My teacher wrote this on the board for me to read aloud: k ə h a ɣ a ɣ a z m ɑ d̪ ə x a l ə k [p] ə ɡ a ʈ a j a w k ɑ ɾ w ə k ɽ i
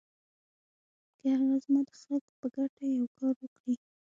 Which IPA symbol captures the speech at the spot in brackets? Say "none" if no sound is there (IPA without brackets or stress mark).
p